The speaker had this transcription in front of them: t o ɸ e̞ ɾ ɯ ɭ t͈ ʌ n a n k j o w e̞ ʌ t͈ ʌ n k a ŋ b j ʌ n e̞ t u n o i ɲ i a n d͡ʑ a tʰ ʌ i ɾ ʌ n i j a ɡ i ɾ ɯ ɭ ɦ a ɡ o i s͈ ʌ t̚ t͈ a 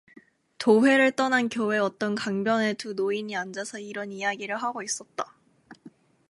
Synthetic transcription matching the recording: t o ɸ e̞ ɾ ɯ ɭ t͈ ʌ n a n k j o w e̞ ʌ t͈ ʌ n k a ŋ b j ʌ n e̞ t u n o i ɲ i a n d͡ʑ a sʰ ʌ i ɾ ʌ n i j a ɡ i ɾ ɯ ɭ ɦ a ɡ o i s͈ ʌ t̚ t͈ a